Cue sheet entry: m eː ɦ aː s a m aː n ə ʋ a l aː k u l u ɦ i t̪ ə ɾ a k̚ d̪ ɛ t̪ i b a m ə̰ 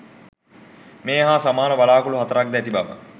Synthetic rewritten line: m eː ɦ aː s a m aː n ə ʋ a l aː k u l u ɦ a t̪ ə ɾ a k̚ d̪ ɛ t̪ i b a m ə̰

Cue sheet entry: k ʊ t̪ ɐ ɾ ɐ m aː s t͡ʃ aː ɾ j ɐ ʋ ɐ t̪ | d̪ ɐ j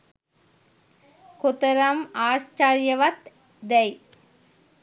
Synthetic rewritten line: k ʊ t̪ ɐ ɾ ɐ m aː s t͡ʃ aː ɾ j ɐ ʋ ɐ t̪ | d̪ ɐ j

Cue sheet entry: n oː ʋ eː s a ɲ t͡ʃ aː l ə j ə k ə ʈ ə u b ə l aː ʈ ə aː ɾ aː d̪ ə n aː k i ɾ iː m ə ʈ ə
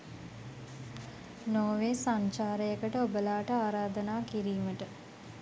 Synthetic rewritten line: n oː ʋ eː s a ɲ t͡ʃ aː ɾ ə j ə k ə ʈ ə o b ə l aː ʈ ə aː ɾ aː d̪ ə n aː k i ɾ iː m ə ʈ ə

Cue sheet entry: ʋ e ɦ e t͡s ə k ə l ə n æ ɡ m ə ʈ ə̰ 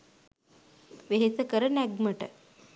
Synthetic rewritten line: ʋ e ɦ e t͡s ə k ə ɾ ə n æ ɡ m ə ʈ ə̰

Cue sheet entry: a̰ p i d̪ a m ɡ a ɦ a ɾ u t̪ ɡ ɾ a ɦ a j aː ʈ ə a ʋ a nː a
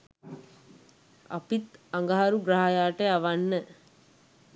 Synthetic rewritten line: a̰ p i t̪ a ŋ ɡ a ɦ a ɾ u ɡ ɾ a ɦ a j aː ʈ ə a ʋ a nː ə

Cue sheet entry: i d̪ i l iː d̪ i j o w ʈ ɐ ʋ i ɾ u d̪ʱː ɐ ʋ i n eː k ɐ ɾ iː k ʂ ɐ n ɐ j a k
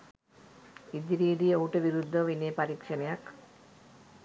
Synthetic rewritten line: i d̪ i ɾ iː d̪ i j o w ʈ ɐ ʋ i ɾ u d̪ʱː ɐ ʋ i n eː p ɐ ɾ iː k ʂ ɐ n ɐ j a k

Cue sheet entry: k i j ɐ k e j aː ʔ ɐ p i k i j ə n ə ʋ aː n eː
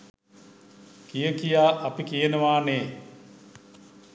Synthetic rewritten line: k i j ə k i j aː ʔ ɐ p i k i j ə n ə ʋ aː n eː

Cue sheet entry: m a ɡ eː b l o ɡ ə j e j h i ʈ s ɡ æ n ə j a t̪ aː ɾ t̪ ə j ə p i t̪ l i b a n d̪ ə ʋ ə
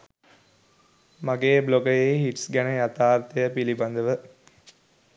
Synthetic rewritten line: m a ɡ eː b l o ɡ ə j e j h i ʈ s ɡ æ n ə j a t̪ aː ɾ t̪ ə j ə p i l i b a n d̪ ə ʋ ə

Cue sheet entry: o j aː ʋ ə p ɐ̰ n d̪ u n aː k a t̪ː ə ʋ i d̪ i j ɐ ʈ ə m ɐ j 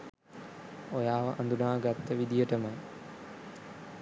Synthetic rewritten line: o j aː ʋ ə ʔ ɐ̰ n d̪ u n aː ɡ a t̪ː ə ʋ i d̪ i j ə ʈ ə m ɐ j

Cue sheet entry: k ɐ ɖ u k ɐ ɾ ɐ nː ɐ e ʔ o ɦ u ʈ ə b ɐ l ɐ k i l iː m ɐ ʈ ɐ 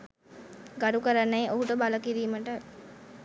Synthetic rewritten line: ɡ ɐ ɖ u k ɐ ɾ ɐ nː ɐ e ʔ o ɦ u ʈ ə b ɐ l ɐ k i ɾ iː m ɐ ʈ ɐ

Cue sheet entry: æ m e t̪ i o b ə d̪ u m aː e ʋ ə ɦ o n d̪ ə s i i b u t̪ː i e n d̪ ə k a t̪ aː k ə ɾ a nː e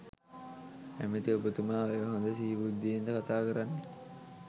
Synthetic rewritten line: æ m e t̪ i o b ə t̪ u m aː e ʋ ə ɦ o n d̪ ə s i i b u d̪ː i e n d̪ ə k a t̪ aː k ə ɾ a nː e

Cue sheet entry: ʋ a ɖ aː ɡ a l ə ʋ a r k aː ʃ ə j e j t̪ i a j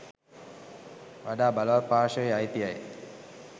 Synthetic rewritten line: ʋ a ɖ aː b a l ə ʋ a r p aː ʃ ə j a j t̪ i a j

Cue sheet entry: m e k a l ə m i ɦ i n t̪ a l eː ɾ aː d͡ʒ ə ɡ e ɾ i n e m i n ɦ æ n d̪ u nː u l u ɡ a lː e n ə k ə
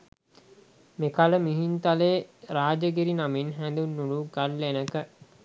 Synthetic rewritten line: m e k a l ə m i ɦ i n t̪ a l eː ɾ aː d͡ʒ ə ɡ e ɾ i n a m i n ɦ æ n d̪ u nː u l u ɡ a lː e n ə k ə

